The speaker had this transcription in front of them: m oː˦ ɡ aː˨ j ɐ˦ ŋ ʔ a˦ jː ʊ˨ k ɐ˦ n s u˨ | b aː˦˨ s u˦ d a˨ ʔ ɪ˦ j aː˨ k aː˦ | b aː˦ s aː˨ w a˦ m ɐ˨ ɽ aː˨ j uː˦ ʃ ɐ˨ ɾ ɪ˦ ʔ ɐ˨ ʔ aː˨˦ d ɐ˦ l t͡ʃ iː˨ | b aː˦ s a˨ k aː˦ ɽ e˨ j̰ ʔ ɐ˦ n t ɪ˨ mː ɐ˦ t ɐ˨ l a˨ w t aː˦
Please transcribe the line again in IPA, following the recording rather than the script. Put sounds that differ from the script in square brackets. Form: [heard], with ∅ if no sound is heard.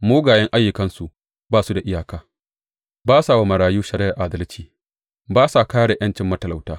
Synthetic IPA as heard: m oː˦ ɡ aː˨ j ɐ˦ ŋ ʔ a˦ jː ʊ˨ k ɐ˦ n s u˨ | b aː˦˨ s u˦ d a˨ ʔ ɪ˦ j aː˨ k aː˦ | b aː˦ s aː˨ w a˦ m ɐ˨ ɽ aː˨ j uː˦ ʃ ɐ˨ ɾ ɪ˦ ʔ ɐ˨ ʔ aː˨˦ d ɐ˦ l t͡ʃ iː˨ | b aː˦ s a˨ k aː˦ ɽ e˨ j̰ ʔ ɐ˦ n [t͡ʃ] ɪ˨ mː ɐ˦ t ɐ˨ l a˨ w t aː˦

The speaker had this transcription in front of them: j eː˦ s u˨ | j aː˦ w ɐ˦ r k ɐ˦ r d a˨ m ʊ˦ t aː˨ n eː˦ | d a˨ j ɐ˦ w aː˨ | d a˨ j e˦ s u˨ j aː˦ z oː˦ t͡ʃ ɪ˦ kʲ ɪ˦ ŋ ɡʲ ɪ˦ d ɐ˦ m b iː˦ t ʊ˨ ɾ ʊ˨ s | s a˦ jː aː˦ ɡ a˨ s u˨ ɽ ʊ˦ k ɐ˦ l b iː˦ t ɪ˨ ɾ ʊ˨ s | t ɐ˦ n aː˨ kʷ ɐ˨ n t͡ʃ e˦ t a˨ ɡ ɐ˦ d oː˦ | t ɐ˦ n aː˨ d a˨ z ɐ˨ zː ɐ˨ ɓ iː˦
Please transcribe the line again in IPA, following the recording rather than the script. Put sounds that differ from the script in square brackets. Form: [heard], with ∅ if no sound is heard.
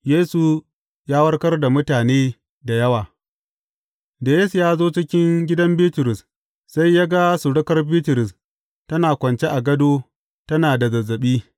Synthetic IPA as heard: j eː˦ s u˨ | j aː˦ w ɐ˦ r k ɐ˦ r d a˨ m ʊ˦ t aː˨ n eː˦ | d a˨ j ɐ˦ w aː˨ | d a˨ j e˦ s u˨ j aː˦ z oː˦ t͡ʃ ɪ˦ kʲ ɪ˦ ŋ ɡʲ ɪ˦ d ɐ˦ m b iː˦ t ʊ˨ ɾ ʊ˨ s | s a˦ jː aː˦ ɡ [a˦] s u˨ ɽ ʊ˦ k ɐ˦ [r] b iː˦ t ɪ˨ ɾ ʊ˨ s | t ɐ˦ n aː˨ kʷ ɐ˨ n t͡ʃ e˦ [ʔ] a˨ ɡ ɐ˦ d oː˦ | t ɐ˦ n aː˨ d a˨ z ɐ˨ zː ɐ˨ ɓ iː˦

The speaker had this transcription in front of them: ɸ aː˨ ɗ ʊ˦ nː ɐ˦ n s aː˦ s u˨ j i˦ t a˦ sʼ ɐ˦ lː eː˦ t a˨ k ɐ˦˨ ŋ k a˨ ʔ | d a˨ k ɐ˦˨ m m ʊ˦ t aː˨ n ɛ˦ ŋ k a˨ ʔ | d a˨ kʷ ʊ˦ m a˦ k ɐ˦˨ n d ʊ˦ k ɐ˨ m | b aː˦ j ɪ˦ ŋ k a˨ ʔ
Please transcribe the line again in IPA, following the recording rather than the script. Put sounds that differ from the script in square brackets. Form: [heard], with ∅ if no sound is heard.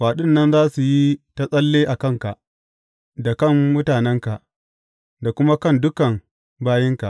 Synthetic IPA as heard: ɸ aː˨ ɗ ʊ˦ nː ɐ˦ n [z] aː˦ s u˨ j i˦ t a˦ sʼ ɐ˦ lː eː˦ [ʔ] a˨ k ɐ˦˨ ŋ k a˨ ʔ | d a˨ k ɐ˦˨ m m ʊ˦ t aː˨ n ɛ˦ ŋ k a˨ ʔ | d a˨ kʷ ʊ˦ m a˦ k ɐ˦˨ n d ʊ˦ k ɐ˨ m | b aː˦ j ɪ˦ ŋ k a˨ ʔ

